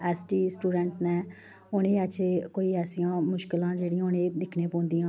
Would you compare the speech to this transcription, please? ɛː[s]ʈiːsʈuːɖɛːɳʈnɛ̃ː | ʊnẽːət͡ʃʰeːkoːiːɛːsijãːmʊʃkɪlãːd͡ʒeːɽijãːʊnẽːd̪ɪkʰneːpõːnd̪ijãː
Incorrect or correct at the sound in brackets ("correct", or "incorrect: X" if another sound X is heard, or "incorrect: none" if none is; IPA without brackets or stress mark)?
correct